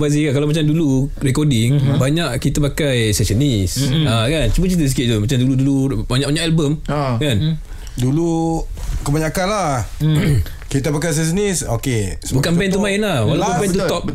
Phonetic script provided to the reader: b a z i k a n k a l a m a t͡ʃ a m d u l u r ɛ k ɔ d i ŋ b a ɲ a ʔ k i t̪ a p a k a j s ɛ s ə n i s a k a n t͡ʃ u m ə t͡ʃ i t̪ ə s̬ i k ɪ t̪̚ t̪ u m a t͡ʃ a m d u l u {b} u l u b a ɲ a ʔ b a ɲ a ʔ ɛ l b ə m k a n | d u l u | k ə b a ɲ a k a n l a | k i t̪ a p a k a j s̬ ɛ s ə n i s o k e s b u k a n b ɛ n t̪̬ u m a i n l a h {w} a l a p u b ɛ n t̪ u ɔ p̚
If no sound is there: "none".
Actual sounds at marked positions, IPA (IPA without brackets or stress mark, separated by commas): d, w